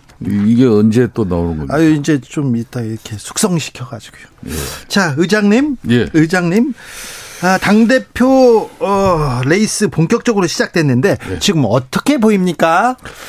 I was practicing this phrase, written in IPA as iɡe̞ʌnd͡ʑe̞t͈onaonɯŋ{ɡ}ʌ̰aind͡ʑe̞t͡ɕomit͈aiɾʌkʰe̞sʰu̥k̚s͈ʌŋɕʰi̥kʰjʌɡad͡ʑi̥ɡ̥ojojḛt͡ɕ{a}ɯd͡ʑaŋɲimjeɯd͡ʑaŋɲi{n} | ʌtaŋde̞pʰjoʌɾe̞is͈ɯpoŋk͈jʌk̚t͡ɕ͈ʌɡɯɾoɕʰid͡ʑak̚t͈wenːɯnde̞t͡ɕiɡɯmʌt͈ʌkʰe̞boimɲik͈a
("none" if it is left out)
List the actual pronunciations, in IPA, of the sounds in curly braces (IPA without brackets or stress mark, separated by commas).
ɡ, a, m